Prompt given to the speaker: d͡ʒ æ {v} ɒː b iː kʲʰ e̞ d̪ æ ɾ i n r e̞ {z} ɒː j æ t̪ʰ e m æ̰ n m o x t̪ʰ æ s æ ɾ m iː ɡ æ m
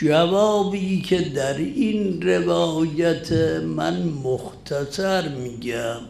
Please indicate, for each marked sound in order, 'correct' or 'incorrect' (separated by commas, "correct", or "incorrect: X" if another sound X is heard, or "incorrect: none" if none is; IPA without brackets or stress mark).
correct, incorrect: v